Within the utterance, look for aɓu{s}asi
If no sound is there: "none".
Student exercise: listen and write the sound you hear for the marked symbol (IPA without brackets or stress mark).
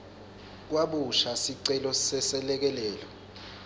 ʃ